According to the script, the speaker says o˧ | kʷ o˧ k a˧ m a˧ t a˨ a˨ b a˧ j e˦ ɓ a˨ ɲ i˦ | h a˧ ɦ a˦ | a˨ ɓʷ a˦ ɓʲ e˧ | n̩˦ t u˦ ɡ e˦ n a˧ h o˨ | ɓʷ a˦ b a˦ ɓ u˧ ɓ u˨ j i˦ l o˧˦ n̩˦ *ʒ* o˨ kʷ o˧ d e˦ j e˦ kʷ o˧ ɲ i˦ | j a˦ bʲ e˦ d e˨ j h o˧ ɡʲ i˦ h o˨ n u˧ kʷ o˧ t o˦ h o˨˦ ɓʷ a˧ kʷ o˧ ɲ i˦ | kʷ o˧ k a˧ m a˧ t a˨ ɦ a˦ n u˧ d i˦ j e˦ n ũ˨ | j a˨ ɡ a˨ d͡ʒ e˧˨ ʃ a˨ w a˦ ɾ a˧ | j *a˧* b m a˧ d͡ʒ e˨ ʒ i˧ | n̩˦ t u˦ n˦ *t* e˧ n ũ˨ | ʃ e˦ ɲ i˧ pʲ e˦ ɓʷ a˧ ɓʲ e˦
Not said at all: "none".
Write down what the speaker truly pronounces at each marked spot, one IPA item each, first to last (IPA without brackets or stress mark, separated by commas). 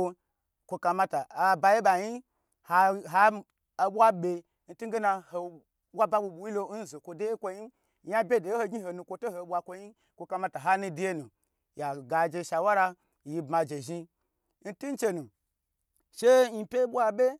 z, i˧, t͡ʃ